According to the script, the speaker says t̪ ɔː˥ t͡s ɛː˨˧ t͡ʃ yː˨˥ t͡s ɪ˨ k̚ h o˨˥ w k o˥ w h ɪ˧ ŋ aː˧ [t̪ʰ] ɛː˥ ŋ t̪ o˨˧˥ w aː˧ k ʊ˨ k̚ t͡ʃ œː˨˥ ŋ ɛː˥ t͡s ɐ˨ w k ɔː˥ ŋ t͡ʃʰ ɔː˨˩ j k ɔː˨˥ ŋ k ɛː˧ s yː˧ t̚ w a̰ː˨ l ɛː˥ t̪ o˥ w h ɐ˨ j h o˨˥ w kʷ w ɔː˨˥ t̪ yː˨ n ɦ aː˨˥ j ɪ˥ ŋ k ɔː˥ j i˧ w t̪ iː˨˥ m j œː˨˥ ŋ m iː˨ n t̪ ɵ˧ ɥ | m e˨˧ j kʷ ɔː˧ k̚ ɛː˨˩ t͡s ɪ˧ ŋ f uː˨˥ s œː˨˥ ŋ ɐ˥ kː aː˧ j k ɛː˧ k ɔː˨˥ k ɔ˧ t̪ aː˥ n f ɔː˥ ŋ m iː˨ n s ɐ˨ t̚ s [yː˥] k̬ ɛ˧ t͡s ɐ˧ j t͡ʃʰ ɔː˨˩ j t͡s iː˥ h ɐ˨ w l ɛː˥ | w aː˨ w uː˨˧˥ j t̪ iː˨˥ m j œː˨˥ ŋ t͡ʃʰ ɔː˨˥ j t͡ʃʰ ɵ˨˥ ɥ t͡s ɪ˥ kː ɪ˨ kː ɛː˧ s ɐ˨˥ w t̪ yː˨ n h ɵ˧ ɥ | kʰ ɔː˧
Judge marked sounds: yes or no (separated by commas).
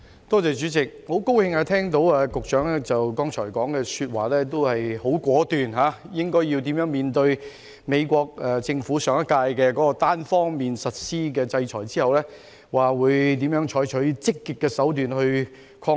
yes, no